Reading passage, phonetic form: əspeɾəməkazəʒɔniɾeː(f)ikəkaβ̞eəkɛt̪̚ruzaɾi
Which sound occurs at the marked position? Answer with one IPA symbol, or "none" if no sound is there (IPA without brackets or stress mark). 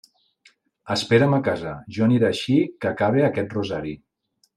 ʃ